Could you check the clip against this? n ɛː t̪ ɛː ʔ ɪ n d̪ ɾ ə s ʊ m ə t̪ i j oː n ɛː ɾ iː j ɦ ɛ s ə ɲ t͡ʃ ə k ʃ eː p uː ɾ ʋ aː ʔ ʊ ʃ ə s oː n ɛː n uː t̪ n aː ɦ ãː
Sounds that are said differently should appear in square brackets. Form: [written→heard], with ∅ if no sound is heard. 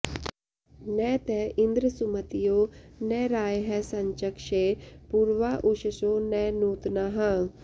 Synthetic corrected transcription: n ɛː t̪ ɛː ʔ ɪ n d̪ ɾ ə s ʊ m ə t̪ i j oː n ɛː ɾ [iː→aː] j ɦ ɛ s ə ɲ t͡ʃ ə k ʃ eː p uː ɾ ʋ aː ʔ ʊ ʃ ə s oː n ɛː n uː t̪ n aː ɦ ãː